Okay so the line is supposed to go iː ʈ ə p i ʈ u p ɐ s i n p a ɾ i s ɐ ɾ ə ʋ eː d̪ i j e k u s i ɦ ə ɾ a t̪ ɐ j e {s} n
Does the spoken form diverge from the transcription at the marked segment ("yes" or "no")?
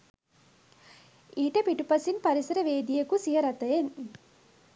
yes